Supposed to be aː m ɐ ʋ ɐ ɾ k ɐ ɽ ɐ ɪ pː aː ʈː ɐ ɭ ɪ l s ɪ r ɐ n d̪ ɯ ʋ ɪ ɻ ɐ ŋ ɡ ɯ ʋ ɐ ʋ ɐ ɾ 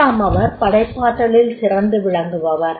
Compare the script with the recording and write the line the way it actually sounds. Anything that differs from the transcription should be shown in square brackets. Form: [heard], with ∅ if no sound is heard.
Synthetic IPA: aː m ɐ ʋ ɐ ɾ [p] ɐ ɽ ɐ ɪ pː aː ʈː ɐ ɭ ɪ l s ɪ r ɐ n d̪ ɯ ʋ ɪ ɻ ɐ ŋ ɡ ɯ ʋ ɐ ʋ ɐ ɾ